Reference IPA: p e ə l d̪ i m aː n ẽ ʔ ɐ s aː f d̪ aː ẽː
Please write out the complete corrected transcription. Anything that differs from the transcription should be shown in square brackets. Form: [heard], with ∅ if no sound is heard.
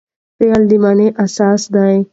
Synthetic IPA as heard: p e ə l d̪ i m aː n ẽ ʔ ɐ s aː [s] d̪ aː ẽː